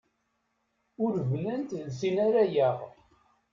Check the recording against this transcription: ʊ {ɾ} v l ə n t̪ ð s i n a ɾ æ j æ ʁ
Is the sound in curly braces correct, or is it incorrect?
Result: correct